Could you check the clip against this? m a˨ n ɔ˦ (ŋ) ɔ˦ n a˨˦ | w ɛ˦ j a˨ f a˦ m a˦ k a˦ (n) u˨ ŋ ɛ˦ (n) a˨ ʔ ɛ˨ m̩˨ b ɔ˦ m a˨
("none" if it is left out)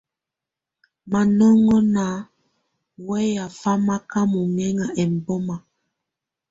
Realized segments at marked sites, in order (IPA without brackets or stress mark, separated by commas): ŋ, m, ŋ